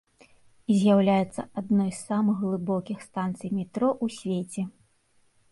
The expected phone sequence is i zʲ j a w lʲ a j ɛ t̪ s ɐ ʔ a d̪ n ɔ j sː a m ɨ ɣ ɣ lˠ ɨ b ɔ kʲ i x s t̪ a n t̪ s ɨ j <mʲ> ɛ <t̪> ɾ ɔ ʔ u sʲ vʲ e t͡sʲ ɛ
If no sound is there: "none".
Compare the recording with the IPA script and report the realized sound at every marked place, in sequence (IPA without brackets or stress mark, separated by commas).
mʲ, t̪